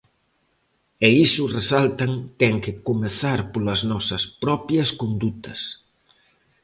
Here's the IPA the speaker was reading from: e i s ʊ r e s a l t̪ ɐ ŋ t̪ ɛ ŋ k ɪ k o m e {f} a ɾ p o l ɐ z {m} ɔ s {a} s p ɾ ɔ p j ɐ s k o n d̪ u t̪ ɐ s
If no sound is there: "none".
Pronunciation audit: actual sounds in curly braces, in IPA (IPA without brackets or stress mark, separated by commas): θ, n, ɐ